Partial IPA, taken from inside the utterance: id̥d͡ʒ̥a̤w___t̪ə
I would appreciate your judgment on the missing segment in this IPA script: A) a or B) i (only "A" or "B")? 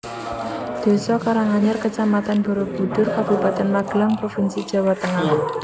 A